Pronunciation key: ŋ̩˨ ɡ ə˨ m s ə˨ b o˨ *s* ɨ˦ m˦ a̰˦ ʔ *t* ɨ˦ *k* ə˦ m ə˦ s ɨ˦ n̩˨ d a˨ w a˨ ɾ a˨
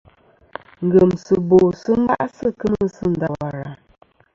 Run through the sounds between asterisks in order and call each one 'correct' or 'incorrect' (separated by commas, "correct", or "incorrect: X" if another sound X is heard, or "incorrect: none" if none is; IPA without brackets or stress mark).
correct, incorrect: s, correct